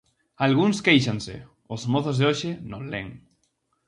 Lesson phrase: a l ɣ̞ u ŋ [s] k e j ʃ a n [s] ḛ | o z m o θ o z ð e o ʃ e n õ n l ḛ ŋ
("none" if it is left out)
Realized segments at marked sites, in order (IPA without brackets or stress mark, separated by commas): s, s